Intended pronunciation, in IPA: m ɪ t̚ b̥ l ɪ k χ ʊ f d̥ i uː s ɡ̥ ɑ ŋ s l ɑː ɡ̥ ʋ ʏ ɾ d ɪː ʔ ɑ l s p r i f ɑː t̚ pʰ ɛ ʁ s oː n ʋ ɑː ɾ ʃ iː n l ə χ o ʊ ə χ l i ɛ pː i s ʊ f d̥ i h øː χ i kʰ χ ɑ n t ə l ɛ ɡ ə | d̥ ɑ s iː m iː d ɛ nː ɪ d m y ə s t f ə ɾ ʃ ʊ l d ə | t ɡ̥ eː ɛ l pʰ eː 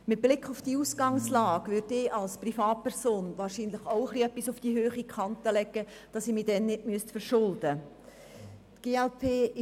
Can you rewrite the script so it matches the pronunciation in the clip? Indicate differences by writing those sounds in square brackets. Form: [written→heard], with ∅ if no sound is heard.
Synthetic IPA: m ɪ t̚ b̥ l ɪ k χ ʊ f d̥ i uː s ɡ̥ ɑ ŋ s l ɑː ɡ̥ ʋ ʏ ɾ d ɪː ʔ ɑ l s p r i f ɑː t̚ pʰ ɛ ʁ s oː n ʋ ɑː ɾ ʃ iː n l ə χ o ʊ ə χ l i [ɛ→œ] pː i s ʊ f d̥ i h øː χ i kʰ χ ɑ n t ə l ɛ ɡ ə | d̥ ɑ s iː m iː d ɛ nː ɪ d m y ə s t f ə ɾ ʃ ʊ l d ə | t ɡ̥ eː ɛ l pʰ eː